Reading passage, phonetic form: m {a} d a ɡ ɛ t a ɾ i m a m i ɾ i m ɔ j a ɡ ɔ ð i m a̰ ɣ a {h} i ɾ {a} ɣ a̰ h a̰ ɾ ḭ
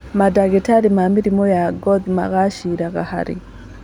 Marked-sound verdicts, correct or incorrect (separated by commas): correct, incorrect, correct